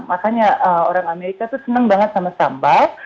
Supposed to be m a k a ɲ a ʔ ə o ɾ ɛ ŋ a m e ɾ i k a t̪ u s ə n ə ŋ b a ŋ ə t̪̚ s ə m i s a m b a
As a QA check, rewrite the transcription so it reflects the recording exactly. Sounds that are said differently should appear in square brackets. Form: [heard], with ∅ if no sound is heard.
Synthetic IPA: m a k a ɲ a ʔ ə o ɾ [a] ŋ a m e ɾ i k a t̪ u s ə n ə ŋ b a ŋ ə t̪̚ s [a] m [a] s a m b a